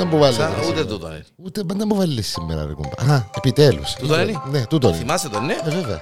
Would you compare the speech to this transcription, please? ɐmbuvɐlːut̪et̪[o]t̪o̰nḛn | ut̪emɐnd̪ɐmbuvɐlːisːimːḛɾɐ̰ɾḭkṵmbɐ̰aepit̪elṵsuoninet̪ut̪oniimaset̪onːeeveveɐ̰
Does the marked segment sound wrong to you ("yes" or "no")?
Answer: yes